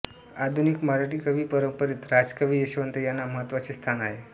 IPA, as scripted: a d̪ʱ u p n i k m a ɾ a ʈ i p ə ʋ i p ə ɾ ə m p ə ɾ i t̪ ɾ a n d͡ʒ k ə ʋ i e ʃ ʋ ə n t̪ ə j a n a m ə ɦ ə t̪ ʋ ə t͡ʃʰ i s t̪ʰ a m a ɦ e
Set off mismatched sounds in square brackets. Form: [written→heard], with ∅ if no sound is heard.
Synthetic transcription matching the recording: a d̪ʱ u [p→∅] n i k m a ɾ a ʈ i [p→k] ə ʋ i p ə ɾ ə m p ə ɾ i t̪ ɾ a [n→∅] d͡ʒ k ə ʋ i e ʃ ʋ ə n t̪ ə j a n a m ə ɦ ə t̪ ʋ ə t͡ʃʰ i s t̪ʰ a [m→n] a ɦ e

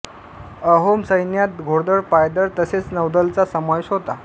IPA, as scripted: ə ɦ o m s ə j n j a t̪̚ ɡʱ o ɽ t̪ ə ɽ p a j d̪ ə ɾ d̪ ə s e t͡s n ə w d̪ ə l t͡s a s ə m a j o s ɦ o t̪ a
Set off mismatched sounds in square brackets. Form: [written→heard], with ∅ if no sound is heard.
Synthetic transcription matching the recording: ə ɦ o m s ə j n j a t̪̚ ɡʱ o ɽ [t̪→d̪] ə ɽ p a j d̪ ə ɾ [d̪→t̪] ə s e t͡s n ə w d̪ ə l t͡s a s ə m a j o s ɦ o t̪ a

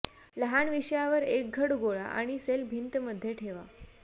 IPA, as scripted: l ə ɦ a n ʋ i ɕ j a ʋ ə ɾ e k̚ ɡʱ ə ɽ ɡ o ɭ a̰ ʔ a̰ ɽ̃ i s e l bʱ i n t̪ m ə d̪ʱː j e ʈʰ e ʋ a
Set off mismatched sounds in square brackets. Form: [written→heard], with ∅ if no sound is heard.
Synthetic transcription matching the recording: l ə ɦ a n ʋ i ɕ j a ʋ ə ɾ e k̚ ɡʱ ə ɽ ɡ o ɭ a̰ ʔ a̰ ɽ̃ i s e l bʱ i n t̪ m ə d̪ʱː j e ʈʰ e ʋ a

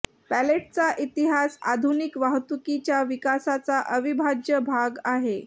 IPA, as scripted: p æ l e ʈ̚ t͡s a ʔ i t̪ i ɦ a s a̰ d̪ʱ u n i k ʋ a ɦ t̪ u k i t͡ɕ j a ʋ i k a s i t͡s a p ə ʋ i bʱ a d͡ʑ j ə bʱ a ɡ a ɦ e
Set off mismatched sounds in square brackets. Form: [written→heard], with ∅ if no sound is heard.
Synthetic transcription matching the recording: p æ l e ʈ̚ t͡s a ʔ i t̪ i ɦ a s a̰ d̪ʱ u n i k ʋ a ɦ t̪ u k i t͡ɕ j a ʋ i k a s [i→a] t͡s a [p→ʔ] ə ʋ i bʱ a d͡ʑ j ə bʱ a ɡ a ɦ e

